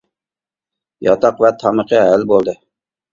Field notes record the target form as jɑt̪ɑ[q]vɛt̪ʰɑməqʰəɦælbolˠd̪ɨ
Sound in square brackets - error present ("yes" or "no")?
no